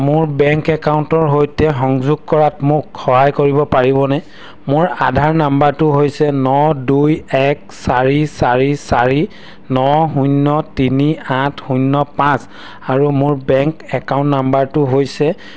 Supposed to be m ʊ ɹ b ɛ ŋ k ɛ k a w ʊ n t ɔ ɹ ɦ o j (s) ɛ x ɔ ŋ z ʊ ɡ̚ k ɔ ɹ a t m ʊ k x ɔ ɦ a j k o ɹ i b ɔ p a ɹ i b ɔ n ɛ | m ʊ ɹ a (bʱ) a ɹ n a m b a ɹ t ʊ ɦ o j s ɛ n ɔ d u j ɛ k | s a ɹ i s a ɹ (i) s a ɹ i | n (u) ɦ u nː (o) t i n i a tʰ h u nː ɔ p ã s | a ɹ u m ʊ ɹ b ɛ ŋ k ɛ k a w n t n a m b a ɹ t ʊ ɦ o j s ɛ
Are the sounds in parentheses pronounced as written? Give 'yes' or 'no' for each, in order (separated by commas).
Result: no, no, yes, no, no